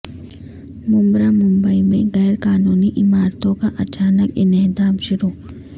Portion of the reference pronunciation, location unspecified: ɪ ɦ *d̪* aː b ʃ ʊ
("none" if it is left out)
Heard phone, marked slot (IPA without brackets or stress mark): d̪